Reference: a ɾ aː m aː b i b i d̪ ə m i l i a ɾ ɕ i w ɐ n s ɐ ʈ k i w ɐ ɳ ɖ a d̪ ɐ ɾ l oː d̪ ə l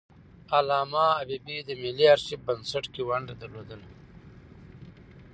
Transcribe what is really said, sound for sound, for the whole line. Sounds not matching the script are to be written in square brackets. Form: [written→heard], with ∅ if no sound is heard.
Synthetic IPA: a [ɾ→l] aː m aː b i b i d̪ ə m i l i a ɾ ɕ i [w→b] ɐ n s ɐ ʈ k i w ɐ ɳ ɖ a d̪ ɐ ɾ l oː d̪ ə l